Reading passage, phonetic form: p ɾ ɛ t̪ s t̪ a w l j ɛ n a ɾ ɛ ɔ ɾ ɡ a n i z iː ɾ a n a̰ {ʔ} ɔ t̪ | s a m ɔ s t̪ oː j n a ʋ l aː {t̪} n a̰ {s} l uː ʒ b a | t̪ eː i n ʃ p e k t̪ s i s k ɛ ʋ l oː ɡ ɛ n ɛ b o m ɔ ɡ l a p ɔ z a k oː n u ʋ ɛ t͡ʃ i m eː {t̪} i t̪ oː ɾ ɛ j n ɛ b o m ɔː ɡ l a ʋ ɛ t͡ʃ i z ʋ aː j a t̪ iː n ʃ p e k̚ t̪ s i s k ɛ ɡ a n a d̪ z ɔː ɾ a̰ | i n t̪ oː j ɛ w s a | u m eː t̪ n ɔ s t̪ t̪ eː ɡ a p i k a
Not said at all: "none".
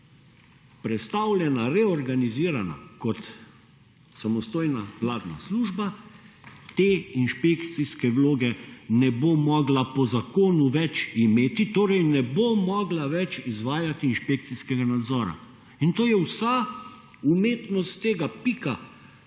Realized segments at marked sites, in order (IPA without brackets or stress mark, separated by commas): k, d̪, s, t̪